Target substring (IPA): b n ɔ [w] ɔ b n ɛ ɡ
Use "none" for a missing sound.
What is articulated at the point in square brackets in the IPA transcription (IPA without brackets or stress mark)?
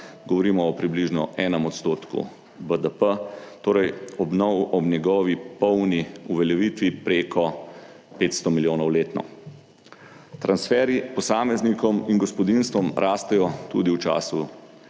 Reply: w